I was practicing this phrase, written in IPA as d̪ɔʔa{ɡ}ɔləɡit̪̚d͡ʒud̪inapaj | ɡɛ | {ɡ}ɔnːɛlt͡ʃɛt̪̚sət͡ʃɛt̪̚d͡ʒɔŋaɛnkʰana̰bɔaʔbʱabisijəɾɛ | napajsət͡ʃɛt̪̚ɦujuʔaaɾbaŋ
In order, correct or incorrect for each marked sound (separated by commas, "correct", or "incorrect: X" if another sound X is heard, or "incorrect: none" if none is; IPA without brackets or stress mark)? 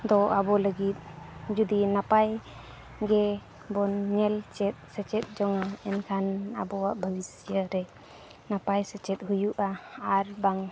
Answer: incorrect: b, incorrect: b